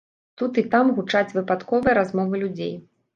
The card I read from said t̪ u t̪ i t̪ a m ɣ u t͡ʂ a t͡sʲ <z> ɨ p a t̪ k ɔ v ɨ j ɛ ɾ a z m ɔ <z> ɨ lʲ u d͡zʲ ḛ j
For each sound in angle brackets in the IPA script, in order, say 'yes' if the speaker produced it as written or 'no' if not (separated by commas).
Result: no, no